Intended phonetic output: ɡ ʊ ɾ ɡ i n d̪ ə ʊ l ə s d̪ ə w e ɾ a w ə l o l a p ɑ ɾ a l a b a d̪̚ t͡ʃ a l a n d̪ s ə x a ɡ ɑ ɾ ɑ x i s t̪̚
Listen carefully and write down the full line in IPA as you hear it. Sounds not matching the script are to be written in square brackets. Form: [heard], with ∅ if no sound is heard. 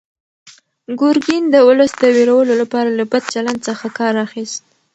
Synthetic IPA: ɡ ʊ ɾ ɡ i n d̪ ə ʊ l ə s d̪ ə w e ɾ a w ə l o l a p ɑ ɾ a l a b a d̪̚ t͡ʃ a l a n d̪ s ə x a [k] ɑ ɾ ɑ x i s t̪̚